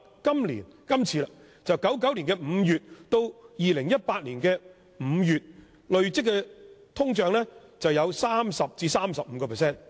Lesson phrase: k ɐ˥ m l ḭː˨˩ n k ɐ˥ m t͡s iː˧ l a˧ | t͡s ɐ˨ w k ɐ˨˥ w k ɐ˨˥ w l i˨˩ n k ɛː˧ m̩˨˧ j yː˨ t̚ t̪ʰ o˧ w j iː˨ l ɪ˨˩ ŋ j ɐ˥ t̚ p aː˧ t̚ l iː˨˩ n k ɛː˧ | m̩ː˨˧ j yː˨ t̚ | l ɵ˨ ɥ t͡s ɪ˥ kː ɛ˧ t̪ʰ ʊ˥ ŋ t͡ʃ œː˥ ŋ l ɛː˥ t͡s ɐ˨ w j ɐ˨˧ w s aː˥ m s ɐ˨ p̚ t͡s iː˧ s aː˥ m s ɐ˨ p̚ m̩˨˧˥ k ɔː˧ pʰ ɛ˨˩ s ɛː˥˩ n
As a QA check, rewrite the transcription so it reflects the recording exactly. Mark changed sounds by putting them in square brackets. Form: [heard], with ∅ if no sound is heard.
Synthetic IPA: k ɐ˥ m l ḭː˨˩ n k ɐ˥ m [t͡sʰ] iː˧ l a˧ | t͡s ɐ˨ w k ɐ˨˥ w k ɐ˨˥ w l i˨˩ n k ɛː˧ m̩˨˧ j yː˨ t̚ [t̪] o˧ w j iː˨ l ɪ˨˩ ŋ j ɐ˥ t̚ p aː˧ t̚ l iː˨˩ n k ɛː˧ | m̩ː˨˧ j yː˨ t̚ | l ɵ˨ ɥ t͡s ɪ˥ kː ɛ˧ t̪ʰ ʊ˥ ŋ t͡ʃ [œː˨˧] ŋ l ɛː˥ t͡s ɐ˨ w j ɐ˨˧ w s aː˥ m s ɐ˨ p̚ t͡s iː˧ s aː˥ m s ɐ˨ p̚ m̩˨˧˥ k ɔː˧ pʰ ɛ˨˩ s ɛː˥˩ n

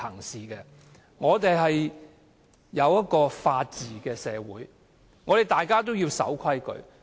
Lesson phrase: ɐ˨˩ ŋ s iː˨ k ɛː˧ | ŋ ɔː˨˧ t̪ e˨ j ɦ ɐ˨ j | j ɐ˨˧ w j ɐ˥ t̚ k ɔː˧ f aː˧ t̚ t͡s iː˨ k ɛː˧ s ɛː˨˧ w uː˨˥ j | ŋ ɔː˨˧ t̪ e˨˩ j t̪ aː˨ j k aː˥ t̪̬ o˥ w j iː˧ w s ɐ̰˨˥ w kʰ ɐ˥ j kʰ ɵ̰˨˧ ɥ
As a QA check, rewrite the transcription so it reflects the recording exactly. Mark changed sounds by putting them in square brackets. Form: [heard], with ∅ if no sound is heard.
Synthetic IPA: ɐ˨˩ ŋ s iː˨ k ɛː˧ | ŋ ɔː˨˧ t̪ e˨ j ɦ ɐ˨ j | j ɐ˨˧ w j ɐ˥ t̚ k ɔː˧ f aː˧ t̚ t͡s iː˨ k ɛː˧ s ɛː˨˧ w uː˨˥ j | ŋ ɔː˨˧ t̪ e˨˩ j t̪ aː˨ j k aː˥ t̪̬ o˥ w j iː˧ w s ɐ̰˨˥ w kʰ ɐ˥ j [k] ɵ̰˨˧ ɥ

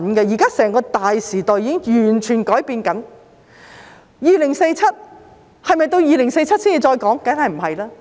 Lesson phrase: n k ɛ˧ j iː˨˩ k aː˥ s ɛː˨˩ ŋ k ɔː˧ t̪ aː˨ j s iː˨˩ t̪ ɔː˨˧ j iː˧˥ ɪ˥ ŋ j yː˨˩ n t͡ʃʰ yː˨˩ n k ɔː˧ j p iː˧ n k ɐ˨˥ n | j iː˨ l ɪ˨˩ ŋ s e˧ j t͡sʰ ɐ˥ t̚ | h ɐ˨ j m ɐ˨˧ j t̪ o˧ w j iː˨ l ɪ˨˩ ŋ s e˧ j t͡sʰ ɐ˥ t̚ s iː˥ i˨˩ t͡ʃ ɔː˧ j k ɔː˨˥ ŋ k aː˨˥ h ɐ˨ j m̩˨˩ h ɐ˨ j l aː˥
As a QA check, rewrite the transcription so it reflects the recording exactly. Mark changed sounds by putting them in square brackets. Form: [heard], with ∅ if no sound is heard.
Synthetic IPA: n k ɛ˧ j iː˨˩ k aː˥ s ɛː˨˩ ŋ k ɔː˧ t̪ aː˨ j s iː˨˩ t̪ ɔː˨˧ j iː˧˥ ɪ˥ ŋ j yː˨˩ n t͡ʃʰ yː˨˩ n k [ɔː˨˥] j p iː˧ n k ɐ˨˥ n | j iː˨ l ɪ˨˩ ŋ s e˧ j t͡sʰ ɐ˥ t̚ | h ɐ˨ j m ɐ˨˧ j t̪ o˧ w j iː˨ l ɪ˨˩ ŋ s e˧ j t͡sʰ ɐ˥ t̚ s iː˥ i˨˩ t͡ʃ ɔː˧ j k ɔː˨˥ ŋ k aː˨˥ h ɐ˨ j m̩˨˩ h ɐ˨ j l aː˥

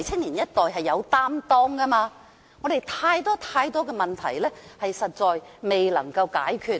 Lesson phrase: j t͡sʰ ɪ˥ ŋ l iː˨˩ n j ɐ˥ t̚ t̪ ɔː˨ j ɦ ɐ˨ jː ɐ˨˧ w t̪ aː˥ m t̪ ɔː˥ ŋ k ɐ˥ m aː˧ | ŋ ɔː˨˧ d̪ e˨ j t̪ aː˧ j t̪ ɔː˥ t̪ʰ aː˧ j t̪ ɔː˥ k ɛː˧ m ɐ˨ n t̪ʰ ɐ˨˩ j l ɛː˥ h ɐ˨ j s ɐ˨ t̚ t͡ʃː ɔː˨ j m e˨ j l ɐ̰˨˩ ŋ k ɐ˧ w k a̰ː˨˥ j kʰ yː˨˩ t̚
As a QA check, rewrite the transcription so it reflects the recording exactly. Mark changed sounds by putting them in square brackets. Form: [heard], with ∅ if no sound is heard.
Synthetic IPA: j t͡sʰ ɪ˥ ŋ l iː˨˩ n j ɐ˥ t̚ t̪ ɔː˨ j ɦ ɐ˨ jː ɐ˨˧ w t̪ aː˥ m t̪ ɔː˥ ŋ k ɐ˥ m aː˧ | ŋ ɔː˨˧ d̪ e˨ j [t̪ʰ] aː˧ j t̪ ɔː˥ t̪ʰ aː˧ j t̪ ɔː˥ k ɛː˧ m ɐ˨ n t̪ʰ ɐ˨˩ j l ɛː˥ h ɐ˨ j s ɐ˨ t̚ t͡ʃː ɔː˨ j m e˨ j l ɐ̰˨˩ ŋ k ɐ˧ w k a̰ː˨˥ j kʰ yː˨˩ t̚

